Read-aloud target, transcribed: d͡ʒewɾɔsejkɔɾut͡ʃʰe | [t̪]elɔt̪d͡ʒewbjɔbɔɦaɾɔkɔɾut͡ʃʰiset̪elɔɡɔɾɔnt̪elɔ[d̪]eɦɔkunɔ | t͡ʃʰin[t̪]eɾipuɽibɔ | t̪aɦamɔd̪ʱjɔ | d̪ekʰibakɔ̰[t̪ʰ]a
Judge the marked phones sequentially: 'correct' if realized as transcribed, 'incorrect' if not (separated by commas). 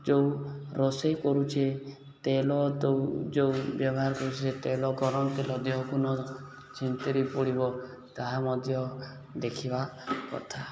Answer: correct, correct, correct, correct